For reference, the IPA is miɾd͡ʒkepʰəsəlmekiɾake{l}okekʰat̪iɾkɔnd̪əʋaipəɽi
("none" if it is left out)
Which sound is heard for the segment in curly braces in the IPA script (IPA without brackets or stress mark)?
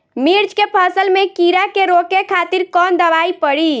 ɾ